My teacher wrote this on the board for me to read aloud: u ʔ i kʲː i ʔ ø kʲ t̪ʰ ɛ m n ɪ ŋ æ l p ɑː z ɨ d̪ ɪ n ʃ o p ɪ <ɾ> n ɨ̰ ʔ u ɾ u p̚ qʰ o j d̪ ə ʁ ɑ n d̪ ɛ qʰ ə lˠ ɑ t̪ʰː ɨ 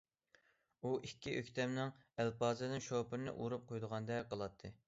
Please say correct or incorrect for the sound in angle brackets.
correct